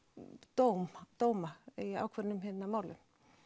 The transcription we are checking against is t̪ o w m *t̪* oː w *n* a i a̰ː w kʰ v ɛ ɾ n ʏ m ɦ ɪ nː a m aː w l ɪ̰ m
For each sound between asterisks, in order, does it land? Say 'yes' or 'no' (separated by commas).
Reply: yes, no